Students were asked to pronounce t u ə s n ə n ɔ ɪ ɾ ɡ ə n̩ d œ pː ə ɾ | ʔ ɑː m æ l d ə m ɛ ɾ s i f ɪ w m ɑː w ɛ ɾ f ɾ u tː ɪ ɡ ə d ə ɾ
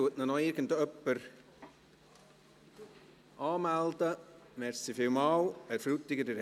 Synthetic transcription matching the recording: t u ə t n ə n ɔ ɪ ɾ ɡ ə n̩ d œ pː ə ɾ | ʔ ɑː m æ l d ə m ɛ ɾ s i f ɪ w m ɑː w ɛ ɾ f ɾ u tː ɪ ɡ ə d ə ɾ